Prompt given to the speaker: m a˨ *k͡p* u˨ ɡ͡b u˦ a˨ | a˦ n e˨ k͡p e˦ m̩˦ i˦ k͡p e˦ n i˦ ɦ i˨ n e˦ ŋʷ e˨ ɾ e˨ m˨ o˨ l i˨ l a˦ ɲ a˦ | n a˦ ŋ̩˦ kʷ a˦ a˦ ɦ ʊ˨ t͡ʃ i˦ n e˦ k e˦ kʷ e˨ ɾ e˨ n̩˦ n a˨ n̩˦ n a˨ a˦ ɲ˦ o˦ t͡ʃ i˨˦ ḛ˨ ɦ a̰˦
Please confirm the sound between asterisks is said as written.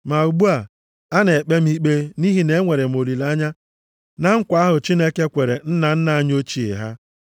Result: no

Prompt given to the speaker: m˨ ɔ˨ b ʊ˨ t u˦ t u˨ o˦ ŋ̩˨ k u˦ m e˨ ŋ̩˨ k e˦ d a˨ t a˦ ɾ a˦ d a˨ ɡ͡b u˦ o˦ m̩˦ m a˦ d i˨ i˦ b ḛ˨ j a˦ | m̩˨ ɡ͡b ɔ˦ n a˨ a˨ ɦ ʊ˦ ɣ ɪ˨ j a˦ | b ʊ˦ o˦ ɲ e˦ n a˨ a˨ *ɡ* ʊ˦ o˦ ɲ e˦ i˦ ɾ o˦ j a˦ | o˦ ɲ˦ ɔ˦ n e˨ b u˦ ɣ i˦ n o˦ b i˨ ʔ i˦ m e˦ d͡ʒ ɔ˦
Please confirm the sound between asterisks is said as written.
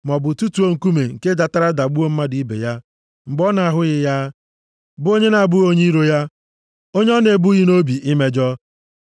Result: no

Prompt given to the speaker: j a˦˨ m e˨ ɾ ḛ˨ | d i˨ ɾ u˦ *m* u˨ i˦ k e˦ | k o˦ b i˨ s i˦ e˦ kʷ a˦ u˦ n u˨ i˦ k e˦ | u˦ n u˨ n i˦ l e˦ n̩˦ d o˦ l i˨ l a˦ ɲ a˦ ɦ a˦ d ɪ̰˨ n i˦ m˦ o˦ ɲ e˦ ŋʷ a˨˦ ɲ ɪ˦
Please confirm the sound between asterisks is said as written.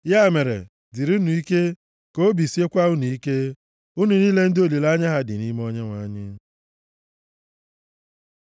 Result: no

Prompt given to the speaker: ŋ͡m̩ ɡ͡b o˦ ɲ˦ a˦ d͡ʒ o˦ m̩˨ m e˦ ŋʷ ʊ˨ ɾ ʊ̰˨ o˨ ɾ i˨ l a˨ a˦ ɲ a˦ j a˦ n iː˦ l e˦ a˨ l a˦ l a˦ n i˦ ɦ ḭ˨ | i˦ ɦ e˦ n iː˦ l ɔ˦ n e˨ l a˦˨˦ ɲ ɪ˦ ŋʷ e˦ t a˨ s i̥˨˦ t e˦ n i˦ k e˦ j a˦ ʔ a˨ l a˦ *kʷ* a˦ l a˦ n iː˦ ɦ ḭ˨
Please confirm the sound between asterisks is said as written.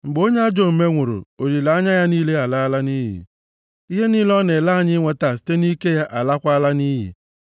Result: yes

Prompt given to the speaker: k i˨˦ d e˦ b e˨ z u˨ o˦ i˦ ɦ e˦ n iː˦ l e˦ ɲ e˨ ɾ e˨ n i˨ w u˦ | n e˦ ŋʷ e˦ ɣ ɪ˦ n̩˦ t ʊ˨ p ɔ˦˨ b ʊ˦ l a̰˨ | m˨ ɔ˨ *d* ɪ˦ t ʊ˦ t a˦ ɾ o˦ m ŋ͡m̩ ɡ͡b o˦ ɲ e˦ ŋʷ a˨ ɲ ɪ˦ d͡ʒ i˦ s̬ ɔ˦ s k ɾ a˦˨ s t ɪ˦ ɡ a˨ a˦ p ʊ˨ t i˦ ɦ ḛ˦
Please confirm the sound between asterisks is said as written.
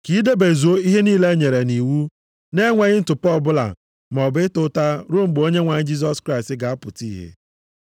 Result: no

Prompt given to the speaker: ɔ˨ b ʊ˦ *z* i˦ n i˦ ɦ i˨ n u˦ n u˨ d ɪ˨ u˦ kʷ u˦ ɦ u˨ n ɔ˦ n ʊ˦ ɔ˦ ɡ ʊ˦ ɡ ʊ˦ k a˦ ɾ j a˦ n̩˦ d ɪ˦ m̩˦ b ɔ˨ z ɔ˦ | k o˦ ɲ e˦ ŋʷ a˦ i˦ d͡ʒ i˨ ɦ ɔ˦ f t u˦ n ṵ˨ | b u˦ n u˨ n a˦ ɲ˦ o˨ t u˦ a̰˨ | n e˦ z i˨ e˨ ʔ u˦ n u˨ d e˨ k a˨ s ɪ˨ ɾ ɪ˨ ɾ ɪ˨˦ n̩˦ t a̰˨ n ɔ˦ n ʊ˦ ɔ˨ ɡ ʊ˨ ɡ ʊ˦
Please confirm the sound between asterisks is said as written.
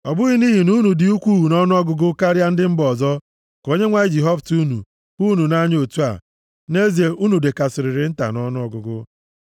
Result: no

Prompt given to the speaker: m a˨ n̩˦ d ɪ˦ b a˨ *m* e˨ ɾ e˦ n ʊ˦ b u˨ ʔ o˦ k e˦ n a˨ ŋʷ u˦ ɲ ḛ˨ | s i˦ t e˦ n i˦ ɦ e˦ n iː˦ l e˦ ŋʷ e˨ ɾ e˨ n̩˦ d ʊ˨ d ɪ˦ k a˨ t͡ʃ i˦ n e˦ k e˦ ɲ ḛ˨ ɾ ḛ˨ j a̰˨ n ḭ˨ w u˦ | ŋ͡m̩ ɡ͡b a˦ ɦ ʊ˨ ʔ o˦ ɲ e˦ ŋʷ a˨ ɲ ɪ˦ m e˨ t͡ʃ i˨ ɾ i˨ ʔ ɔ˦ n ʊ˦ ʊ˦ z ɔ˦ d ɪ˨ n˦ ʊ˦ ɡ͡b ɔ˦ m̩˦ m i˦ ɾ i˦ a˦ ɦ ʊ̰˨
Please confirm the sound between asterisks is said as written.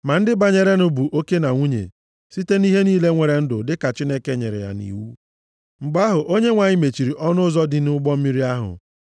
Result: no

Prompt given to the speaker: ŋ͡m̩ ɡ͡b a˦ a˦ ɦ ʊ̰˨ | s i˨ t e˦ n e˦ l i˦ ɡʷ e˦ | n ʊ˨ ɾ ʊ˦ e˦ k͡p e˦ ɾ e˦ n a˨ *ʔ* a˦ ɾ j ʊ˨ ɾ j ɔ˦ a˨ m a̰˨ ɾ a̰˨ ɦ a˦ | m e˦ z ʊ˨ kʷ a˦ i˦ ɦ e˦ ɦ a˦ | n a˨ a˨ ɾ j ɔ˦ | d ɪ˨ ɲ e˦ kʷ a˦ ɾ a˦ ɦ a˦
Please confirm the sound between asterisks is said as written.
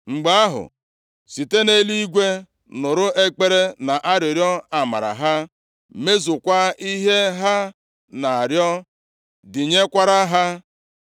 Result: yes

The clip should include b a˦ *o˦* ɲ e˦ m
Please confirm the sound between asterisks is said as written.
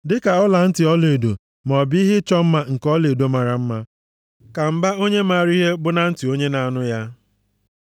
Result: yes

